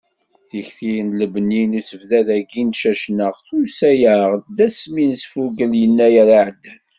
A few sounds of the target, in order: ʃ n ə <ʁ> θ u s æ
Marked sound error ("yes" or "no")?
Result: no